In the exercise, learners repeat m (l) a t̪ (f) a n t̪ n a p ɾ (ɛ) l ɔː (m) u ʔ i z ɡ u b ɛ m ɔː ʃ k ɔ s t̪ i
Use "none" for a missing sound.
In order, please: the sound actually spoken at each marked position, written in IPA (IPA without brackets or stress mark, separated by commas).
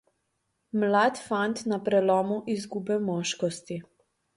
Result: l, f, ɛ, m